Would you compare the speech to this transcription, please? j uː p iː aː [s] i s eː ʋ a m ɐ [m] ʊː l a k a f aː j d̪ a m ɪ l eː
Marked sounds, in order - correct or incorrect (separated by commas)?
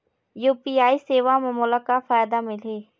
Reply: incorrect, correct